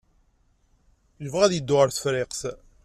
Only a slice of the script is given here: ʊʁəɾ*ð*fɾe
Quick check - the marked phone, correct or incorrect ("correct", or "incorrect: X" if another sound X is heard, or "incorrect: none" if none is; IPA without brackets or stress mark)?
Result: incorrect: θ